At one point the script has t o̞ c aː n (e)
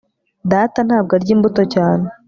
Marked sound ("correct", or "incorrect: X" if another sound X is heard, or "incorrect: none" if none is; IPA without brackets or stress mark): correct